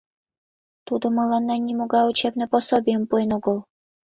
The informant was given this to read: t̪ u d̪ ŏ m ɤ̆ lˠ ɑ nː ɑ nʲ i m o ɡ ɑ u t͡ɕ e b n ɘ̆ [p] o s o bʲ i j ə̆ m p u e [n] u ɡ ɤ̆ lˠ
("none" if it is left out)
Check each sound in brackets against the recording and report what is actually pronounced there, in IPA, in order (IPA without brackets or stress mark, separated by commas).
p, n